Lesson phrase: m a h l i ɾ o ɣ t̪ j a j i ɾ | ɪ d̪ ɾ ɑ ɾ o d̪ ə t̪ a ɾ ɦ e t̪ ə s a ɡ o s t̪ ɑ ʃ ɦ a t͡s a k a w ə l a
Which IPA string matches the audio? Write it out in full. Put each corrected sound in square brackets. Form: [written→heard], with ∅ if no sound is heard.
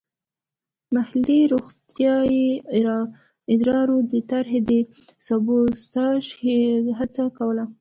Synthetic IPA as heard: m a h l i ɾ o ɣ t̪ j [a→ɑ] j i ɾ | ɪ d̪ ɾ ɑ ɾ o d̪ ə t̪ a ɾ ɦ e [t̪→d̪] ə s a [ɡ→b] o s t̪ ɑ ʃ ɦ a t͡s a k a w ə l a